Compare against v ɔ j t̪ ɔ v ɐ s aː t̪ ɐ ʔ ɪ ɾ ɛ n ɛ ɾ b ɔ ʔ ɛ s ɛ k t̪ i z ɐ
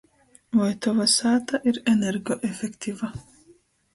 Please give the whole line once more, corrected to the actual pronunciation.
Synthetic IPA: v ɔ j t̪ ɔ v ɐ s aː t̪ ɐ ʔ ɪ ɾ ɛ n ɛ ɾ ɡ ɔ ʔ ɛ f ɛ k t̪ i v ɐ